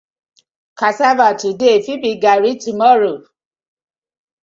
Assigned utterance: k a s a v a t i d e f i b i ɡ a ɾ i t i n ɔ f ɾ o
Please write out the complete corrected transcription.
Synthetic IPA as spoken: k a s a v a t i d e f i b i ɡ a ɾ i t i m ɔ ɾ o